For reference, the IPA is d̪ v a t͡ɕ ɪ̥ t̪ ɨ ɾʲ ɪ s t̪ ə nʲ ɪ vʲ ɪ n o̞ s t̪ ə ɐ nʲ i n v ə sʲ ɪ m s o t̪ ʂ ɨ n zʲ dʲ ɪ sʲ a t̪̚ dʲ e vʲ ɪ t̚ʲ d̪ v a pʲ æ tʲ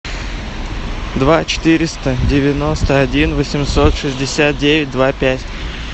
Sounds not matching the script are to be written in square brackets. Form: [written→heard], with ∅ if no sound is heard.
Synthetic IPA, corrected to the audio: d̪ v a t͡ɕ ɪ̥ t̪ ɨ ɾʲ ɪ s t̪ ə [nʲ→dʲ] ɪ vʲ ɪ n o̞ s t̪ ə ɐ [nʲ→dʲ] i n v ə sʲ ɪ m s o t̪ ʂ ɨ [n→∅] zʲ dʲ ɪ sʲ a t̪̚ dʲ e vʲ ɪ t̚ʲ d̪ v a pʲ æ tʲ